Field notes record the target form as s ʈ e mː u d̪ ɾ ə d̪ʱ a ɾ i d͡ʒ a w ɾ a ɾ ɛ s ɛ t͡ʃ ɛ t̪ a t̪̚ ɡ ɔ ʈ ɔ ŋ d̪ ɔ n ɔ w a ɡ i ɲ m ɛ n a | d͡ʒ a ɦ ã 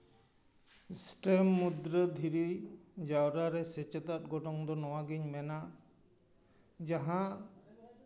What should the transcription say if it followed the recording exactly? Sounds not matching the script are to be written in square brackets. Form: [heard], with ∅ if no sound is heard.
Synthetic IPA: s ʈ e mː u d̪ ɾ ə d̪ʱ [i] ɾ i d͡ʒ a w ɾ a ɾ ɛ s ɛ t͡ʃ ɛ t̪ a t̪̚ ɡ ɔ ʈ ɔ ŋ d̪ ɔ n ɔ w a ɡ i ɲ m ɛ n a | d͡ʒ a ɦ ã

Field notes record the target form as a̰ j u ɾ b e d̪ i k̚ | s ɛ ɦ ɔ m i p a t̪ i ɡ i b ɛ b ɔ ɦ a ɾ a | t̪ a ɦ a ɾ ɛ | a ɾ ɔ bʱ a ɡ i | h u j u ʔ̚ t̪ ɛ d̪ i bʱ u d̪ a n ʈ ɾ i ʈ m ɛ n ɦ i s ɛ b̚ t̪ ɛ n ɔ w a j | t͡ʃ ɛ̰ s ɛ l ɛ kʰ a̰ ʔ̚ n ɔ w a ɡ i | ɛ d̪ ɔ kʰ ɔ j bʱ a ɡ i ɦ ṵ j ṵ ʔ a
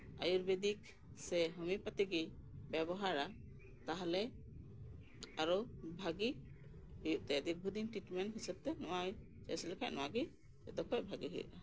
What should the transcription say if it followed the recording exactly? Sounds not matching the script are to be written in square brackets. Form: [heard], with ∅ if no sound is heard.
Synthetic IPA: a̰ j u ɾ b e d̪ i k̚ | s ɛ ɦ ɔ m i p a t̪ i ɡ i b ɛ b ɔ ɦ a ɾ a | t̪ a ɦ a [l] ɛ | a ɾ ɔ bʱ a ɡ i | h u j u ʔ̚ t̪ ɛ d̪ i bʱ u d̪ [i] n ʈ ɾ i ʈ m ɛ n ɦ i s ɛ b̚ t̪ ɛ n ɔ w a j | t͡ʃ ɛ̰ s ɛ l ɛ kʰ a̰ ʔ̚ n ɔ w a ɡ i | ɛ d̪ ɔ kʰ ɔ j bʱ a ɡ i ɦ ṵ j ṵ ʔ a

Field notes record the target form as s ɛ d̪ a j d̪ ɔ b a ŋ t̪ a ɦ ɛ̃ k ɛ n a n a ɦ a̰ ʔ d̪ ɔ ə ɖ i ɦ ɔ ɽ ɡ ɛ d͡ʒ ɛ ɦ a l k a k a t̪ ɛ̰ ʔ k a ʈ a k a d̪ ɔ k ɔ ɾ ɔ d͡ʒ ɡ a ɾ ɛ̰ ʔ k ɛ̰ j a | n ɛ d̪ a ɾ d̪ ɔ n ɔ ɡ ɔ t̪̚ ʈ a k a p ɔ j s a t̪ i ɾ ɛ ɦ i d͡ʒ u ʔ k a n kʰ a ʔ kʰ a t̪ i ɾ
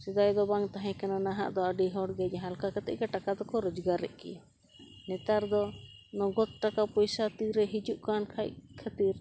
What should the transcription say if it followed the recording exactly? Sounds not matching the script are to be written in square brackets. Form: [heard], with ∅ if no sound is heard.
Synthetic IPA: s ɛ d̪ a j d̪ ɔ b a ŋ t̪ a ɦ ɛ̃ k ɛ n a n a ɦ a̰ ʔ d̪ ɔ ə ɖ i ɦ ɔ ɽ ɡ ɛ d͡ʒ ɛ ɦ a l k a k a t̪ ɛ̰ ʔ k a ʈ a k a d̪ ɔ k ɔ ɾ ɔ d͡ʒ ɡ a ɾ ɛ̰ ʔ k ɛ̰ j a | n ɛ [t̪] a ɾ d̪ ɔ n ɔ ɡ ɔ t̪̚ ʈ a k a p ɔ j s a t̪ i ɾ ɛ ɦ i d͡ʒ u ʔ k a n kʰ a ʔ kʰ a t̪ i ɾ

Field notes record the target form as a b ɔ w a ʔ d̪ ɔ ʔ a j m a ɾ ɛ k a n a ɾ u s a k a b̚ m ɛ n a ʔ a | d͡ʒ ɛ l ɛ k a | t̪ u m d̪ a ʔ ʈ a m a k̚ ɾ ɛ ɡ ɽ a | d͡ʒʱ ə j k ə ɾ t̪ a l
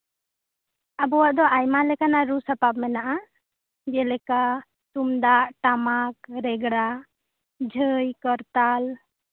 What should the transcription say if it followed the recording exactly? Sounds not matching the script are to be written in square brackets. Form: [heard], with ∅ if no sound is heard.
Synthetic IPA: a b ɔ w a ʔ d̪ ɔ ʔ a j m a [l] ɛ k a n a ɾ u s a [p] a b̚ m ɛ n a ʔ a | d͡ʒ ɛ l ɛ k a | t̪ u m d̪ a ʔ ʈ a m a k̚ ɾ ɛ ɡ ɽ a | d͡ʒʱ ə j k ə ɾ t̪ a l

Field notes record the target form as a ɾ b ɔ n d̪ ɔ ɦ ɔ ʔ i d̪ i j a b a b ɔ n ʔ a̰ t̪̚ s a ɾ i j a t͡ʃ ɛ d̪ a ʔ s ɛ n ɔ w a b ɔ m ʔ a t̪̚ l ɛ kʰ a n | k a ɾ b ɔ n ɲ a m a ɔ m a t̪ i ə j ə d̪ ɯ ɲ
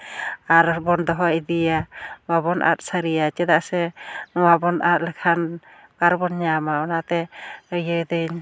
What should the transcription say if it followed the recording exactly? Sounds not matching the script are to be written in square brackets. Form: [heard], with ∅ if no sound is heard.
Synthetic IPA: a ɾ b ɔ n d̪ ɔ ɦ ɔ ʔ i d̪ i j a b a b ɔ n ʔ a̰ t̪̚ s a ɾ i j a t͡ʃ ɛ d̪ a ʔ s ɛ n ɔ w a b ɔ [n] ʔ a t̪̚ l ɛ kʰ a n | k a ɾ b ɔ n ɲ a m a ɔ [n] a t̪ [ɛ] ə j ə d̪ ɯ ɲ

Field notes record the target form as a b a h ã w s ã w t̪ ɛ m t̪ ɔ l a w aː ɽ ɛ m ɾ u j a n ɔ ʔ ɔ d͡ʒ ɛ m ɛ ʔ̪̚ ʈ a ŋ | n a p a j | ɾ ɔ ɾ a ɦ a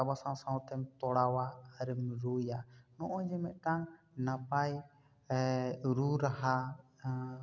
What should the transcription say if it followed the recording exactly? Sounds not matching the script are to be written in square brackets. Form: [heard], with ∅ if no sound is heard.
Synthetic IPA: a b a [s] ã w s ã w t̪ ɛ m t̪ ɔ [ɽ] a w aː [ɾ] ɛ m ɾ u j a n ɔ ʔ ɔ d͡ʒ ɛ m ɛ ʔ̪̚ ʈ a ŋ | n a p a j | ɾ [u] ɾ a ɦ a

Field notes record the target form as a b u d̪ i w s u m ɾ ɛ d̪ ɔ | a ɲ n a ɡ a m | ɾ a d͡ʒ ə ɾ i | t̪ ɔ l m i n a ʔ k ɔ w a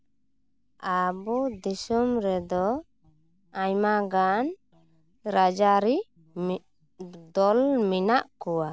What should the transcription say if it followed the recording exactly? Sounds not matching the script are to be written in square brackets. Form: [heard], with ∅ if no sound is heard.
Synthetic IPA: a b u d̪ i [∅] s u m ɾ ɛ d̪ ɔ | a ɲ [m] a ɡ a [n] | ɾ a d͡ʒ [a] ɾ i | [d̪] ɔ l m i n a ʔ k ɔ w a

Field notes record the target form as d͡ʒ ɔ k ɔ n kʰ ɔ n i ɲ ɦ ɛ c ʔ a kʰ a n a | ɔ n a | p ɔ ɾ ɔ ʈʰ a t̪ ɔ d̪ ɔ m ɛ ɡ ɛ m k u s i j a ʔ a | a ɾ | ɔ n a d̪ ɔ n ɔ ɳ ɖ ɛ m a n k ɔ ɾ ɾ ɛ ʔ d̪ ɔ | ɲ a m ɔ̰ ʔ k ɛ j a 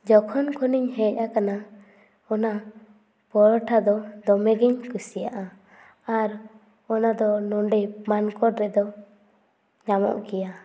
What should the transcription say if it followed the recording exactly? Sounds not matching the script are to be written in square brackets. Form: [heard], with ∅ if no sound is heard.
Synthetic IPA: d͡ʒ ɔ [kʰ] ɔ n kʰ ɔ n i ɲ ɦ ɛ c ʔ a [k] a n a | ɔ n a | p ɔ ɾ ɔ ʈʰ a [d̪] ɔ d̪ ɔ m ɛ ɡ ɛ [ɲ] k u s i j a ʔ a | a ɾ | ɔ n a d̪ ɔ n ɔ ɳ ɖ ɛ m a n k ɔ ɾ ɾ ɛ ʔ d̪ ɔ | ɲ a m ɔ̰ ʔ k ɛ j a

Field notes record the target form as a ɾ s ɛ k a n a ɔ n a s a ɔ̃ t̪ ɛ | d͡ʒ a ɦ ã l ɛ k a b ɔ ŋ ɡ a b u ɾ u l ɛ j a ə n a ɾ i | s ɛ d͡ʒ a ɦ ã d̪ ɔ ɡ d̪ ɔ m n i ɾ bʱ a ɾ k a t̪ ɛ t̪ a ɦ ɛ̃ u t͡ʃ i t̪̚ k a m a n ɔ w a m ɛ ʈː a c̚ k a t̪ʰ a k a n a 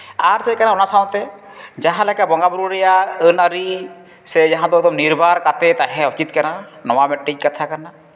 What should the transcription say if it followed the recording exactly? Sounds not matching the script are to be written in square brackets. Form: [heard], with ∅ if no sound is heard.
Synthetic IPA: a ɾ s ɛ k a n a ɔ n a s a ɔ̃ t̪ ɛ | d͡ʒ a ɦ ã l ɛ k a b ɔ ŋ ɡ a b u ɾ u [ɾ] ɛ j a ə n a ɾ i | s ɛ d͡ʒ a ɦ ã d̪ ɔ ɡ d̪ ɔ m n i ɾ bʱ a ɾ k a t̪ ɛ t̪ a ɦ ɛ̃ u t͡ʃ i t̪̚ k a [n] a n ɔ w a m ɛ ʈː [i] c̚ k a t̪ʰ a k a n a

